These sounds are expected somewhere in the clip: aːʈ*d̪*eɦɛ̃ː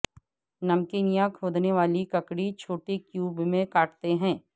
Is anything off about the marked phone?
yes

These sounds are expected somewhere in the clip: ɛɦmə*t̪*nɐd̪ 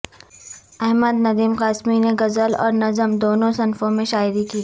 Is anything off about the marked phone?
yes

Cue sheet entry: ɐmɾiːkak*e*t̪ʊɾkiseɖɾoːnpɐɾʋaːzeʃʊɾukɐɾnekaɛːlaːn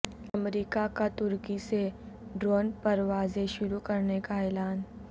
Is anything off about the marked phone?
yes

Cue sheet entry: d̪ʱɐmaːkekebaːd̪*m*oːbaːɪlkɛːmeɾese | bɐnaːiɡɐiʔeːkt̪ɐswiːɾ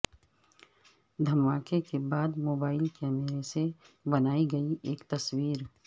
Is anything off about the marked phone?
no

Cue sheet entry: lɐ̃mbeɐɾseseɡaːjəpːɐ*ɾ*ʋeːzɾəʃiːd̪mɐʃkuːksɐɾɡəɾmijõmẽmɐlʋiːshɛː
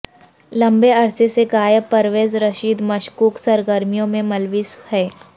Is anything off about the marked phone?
no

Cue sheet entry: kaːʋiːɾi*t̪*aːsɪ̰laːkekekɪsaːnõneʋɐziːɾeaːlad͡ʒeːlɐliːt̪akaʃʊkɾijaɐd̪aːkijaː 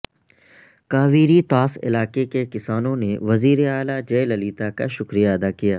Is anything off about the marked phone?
no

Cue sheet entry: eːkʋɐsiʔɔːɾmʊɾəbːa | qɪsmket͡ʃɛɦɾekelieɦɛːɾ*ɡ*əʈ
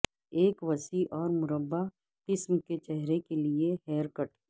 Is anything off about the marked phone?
yes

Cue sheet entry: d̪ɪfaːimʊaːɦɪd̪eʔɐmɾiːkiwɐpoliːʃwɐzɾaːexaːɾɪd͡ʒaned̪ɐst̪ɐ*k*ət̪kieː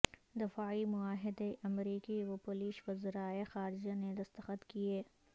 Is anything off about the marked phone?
yes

